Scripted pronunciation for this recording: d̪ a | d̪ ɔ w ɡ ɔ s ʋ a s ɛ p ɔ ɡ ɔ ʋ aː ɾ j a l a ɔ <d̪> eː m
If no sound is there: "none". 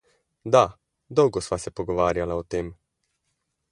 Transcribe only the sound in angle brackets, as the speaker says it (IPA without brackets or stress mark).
t̪